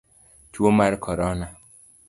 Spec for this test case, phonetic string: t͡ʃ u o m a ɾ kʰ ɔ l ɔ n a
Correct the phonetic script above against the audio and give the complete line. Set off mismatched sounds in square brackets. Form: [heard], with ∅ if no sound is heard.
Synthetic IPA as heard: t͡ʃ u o m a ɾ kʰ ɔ [ɾ] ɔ n a